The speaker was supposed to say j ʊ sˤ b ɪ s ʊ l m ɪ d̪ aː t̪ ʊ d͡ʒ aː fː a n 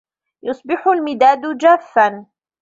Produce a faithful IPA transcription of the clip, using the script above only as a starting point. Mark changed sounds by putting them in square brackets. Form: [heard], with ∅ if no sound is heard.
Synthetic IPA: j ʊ sˤ b ɪ [ħ] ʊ l m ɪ d̪ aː [d̪] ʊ d͡ʒ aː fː a n